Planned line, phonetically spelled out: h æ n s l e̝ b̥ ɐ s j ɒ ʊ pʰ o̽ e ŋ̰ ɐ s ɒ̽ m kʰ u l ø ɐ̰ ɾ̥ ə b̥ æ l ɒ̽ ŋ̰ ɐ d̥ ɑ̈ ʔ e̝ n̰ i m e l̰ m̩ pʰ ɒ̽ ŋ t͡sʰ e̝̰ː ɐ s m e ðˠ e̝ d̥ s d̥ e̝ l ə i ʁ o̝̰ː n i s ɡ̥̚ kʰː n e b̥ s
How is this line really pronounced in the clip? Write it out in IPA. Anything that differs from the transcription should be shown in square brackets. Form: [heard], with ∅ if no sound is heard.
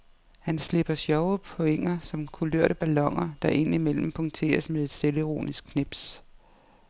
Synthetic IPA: h æ n s l e̝ b̥ ɐ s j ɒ ʊ pʰ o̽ e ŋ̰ ɐ s ɒ̽ m kʰ u l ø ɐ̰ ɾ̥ ə b̥ æ l ɒ̽ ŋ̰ ɐ d̥ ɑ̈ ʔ e̝ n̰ i m e l̰ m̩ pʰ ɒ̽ ŋ t͡sʰ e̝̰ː ɐ s m e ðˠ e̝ d̥ s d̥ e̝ l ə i ʁ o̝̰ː n i s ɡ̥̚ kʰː n e b̥ s

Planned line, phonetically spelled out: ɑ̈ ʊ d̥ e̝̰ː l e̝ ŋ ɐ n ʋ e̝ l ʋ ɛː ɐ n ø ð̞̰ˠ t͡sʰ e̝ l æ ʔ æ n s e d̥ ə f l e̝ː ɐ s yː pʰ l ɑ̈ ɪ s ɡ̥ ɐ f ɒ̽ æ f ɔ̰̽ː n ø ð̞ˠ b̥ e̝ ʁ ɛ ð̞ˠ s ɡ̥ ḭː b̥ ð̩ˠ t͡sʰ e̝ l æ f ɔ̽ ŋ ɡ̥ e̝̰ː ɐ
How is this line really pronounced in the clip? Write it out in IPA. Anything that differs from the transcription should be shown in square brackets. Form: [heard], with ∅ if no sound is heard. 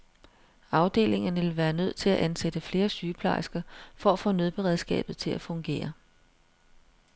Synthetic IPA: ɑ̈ ʊ d̥ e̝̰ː l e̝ ŋ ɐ n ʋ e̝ l ʋ [æː] ɐ n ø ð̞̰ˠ t͡sʰ e̝ l æ ʔ æ n s e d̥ ə f l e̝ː ɐ s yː pʰ l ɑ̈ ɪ s ɡ̥ ɐ f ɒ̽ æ f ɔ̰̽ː n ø ð̞ˠ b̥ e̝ ʁ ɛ ð̞ˠ s ɡ̥ [ɛ̰ː] b̥ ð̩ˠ t͡sʰ e̝ l æ f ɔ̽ ŋ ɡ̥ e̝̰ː ɐ

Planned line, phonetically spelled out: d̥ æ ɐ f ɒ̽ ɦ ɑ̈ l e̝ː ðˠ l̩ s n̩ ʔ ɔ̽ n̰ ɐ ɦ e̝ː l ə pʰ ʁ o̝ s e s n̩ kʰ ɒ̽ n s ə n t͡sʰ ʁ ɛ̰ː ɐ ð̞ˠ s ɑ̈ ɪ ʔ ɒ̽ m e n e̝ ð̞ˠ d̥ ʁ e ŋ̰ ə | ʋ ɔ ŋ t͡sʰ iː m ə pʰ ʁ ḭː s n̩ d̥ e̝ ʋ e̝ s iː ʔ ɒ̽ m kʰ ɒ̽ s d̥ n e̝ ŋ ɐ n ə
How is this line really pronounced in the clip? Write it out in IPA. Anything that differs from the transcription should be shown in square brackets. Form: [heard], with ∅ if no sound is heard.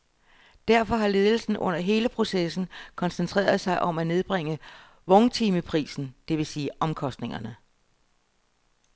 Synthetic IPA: d̥ æ ɐ f ɒ̽ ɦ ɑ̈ l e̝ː ðˠ l̩ s n̩ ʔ ɔ̽ n̰ ɐ ɦ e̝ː l ə pʰ ʁ o̝ s e s n̩ kʰ ɒ̽ n s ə n t͡sʰ ʁ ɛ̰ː ɐ ð̞ˠ s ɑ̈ ɪ ʔ ɒ̽ m [æ] n e̝ ð̞ˠ [b̥] ʁ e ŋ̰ ə | ʋ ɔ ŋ t͡sʰ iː m ə pʰ ʁ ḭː s n̩ d̥ e̝ ʋ e̝ s iː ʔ ɒ̽ m kʰ ɒ̽ s d̥ n e̝ ŋ ɐ n ə

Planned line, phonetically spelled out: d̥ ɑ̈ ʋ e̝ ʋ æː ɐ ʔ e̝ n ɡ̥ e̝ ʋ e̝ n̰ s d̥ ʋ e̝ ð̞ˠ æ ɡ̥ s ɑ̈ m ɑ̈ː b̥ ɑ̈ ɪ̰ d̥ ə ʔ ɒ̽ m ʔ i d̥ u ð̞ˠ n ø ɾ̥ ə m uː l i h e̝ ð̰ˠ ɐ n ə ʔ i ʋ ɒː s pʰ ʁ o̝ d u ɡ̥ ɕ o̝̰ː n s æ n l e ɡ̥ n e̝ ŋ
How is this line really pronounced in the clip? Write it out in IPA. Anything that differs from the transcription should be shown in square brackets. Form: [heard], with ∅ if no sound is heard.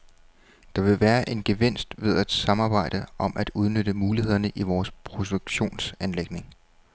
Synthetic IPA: d̥ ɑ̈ ʋ e̝ ʋ æː ɐ ʔ e̝ n ɡ̥ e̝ ʋ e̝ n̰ s d̥ ʋ e̝ ð̞ˠ æ [d̥] s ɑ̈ m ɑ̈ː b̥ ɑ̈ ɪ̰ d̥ ə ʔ ɒ̽ m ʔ [æ] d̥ u ð̞ˠ n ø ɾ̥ ə m uː l i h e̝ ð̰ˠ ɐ n ə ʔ i ʋ ɒː s pʰ ʁ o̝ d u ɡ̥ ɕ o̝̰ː n s æ n l e ɡ̥ n e̝ ŋ

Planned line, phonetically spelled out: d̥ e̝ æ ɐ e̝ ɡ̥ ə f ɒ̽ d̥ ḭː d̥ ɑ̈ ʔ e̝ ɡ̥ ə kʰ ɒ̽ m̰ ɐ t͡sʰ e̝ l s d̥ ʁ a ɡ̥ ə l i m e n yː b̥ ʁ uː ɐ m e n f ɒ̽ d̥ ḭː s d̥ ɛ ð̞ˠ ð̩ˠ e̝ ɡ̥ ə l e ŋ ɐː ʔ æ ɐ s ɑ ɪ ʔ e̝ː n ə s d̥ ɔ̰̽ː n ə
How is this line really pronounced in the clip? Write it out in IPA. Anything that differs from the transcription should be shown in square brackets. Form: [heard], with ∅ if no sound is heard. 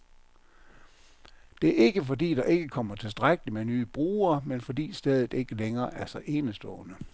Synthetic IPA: d̥ e̝ æ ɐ e̝ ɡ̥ ə f ɒ̽ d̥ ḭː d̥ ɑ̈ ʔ e̝ ɡ̥ ə kʰ ɒ̽ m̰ ɐ t͡sʰ e̝ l s d̥ ʁ a ɡ̥ ə l i m e n yː b̥ ʁ uː ɐ m e n f ɒ̽ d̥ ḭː s d̥ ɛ ð̞ˠ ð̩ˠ e̝ ɡ̥ ə l e ŋ ɐː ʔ æ ɐ s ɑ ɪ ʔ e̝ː n ə s d̥ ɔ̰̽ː n ə

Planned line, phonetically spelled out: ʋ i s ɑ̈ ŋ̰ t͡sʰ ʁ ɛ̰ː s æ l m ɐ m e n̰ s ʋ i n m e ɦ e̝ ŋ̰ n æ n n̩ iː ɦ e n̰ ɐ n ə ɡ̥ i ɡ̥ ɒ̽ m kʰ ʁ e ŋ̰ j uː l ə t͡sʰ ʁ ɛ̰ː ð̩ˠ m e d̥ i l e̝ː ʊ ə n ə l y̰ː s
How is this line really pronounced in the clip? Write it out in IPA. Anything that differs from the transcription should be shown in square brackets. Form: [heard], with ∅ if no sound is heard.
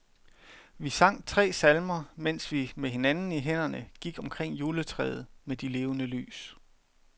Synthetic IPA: ʋ i s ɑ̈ ŋ̰ t͡sʰ ʁ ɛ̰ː s æ l m ɐ m e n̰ s ʋ i [∅] m e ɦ e̝ [∅] n æ n n̩ [i] ɦ e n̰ ɐ n ə ɡ̥ i ɡ̥ ɒ̽ m kʰ ʁ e ŋ̰ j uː l ə t͡sʰ ʁ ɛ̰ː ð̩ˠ m e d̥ i l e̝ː ʊ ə n ə l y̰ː s

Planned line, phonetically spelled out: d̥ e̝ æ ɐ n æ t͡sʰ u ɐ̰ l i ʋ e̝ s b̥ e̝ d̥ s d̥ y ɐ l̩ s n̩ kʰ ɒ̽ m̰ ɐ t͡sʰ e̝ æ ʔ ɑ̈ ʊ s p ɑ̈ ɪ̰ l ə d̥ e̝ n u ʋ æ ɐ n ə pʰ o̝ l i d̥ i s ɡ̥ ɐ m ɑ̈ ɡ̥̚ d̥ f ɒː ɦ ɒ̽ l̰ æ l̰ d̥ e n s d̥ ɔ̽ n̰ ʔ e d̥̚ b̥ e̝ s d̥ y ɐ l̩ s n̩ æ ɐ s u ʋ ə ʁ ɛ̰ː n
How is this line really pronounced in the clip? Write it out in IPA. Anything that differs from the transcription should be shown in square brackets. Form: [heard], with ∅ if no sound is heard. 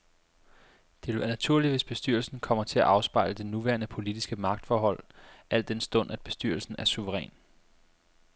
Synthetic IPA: d̥ e̝ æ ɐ n æ t͡sʰ u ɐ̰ l i ʋ e̝ s b̥ e̝ [∅] s d̥ y ɐ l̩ s n̩ kʰ ɒ̽ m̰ ɐ t͡sʰ e̝ æ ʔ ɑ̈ ʊ s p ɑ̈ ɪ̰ l ə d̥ e̝ n u ʋ æ ɐ n ə pʰ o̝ l i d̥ i s ɡ̥ [ə] m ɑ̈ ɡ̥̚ d̥ f ɒː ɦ ɒ̽ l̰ æ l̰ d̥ e n s d̥ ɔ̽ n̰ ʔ [æ] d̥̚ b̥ e̝ s d̥ y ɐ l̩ s n̩ æ ɐ s u ʋ ə ʁ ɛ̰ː n

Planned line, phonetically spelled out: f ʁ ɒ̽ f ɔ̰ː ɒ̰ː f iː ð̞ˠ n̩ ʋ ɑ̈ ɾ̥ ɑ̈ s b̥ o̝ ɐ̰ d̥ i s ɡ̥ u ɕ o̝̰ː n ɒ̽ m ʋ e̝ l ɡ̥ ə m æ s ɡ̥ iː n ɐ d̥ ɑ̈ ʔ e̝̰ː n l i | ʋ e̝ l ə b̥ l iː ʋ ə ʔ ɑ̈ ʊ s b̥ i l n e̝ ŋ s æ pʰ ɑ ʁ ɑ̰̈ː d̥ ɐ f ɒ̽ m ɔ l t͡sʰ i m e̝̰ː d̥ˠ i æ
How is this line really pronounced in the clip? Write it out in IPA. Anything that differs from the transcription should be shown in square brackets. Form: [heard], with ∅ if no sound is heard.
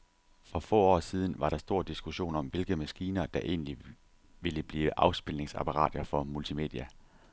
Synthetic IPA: f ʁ ɒ̽ f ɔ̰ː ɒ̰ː [s] iː ð̞ˠ n̩ ʋ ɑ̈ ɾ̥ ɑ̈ s [d̥] o̝ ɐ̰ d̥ i s ɡ̥ u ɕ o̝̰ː n ɒ̽ m ʋ e̝ l ɡ̥ ə m æ s ɡ̥ iː n ɐ d̥ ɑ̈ ʔ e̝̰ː n l i | ʋ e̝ l ə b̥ l iː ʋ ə ʔ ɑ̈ ʊ s b̥ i l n e̝ ŋ s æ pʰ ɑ ʁ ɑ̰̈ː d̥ ɐ f ɒ̽ m [u] l t͡sʰ i m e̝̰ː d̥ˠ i æ

